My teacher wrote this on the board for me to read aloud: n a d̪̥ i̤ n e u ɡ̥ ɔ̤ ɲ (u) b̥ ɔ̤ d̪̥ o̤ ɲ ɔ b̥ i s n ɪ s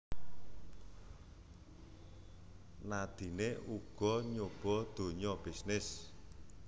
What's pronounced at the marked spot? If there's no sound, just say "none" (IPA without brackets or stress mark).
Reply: o